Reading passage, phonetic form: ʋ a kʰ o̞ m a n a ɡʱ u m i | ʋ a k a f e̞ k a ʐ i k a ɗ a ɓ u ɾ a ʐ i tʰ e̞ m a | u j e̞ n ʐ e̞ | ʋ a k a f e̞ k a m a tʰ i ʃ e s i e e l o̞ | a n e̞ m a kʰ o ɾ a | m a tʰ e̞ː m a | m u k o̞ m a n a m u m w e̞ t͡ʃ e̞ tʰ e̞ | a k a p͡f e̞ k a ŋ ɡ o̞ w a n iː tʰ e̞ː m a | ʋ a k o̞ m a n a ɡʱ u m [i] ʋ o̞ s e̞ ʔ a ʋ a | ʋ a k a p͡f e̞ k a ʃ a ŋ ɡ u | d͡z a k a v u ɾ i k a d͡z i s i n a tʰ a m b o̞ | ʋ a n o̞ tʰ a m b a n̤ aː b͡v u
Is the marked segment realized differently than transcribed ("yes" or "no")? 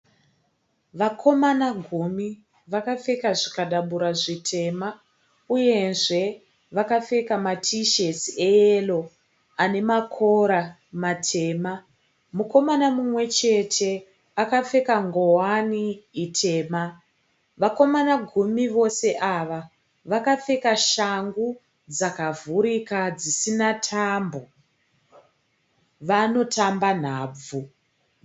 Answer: no